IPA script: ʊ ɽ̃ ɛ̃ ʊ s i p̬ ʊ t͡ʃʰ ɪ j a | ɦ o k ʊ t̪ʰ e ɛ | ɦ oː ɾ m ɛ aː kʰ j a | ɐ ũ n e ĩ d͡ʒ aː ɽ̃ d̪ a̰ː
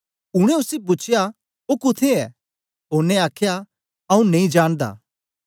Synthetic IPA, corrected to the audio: ʊ ɽ̃ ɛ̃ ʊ s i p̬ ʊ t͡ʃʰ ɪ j a | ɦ o k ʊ t̪ʰ e ɛ | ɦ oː ɾ n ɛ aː kʰ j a | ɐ ũ n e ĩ d͡ʒ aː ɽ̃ d̪ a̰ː